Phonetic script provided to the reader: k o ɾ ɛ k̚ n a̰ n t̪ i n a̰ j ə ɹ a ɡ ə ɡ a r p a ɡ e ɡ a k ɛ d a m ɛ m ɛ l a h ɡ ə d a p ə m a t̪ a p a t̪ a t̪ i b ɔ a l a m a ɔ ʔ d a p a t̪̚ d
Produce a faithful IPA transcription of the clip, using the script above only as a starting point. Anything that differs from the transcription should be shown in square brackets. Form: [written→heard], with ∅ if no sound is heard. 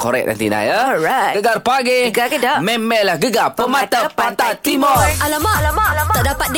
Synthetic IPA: k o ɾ ɛ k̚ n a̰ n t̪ i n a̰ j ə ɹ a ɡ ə ɡ a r p a ɡ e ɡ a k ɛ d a m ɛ m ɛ l a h ɡ ə [d→ɡ] a p ə m a t̪ a p a t̪ a t̪ i [b→m] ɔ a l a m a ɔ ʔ d a p a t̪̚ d